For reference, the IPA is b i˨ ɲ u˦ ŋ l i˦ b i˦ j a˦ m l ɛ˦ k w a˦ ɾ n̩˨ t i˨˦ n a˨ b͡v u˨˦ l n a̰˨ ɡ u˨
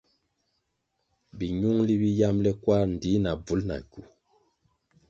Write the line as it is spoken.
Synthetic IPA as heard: b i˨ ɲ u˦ ŋ l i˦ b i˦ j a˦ m l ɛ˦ k w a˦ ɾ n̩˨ d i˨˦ n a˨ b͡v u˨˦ l n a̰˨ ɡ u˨